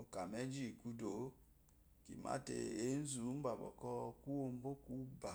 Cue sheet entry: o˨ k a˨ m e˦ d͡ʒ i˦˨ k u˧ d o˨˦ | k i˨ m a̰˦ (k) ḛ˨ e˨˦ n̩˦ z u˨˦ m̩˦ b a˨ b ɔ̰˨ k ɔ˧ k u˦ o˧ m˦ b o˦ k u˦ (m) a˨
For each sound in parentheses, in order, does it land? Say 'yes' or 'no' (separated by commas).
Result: no, no